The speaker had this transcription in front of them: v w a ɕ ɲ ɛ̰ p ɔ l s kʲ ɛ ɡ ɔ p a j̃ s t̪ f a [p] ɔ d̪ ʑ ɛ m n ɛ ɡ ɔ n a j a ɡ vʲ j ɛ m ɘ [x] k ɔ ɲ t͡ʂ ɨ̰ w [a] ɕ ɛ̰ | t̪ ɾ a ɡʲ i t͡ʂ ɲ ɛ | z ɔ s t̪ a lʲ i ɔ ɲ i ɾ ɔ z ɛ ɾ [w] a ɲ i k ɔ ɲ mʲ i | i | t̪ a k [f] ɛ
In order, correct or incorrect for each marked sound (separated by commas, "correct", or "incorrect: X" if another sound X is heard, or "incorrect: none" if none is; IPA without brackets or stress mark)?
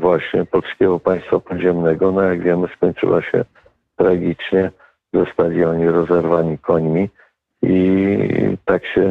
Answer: correct, incorrect: s, correct, incorrect: v, incorrect: ɕ